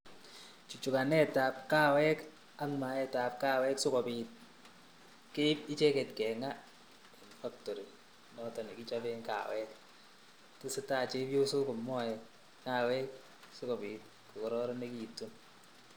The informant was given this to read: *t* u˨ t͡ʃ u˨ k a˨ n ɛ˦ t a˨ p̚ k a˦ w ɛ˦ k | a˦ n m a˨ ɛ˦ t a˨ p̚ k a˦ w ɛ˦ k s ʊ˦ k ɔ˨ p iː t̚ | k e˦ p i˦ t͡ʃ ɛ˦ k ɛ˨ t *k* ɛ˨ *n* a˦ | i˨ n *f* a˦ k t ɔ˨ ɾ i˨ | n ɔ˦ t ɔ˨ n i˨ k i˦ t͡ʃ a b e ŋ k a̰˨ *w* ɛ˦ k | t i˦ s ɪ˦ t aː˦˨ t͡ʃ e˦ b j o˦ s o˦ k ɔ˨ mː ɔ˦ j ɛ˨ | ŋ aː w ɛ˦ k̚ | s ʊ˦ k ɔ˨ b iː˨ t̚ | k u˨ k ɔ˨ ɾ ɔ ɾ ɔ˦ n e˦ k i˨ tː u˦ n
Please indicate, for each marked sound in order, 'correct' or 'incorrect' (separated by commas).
incorrect, correct, incorrect, correct, correct